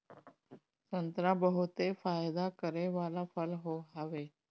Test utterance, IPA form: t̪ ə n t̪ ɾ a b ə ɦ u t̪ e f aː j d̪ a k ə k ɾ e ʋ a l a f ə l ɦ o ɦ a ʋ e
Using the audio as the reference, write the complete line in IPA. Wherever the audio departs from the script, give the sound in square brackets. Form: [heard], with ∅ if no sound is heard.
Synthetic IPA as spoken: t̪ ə n t̪ ɾ a b ə ɦ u t̪ e f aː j d̪ a k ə [∅] ɾ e ʋ a l a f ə l ɦ o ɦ a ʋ e